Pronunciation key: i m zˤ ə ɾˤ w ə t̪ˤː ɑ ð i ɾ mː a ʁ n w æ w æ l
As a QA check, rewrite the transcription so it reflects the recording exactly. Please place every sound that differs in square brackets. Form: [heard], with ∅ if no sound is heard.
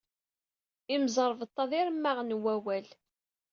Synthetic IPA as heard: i m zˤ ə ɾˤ [v] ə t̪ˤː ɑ ð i ɾ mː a ʁ n w æ w æ l